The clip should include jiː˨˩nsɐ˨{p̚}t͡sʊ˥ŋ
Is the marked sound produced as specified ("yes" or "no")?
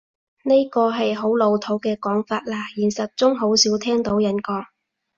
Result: no